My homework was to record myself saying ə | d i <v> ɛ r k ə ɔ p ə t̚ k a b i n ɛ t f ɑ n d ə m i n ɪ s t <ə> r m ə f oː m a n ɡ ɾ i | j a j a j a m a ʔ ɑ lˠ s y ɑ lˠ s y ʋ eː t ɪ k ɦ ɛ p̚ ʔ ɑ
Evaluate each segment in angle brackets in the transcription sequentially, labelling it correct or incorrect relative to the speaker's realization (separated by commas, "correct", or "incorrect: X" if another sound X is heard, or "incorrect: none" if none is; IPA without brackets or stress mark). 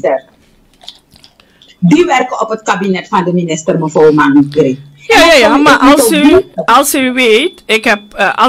incorrect: ʋ, correct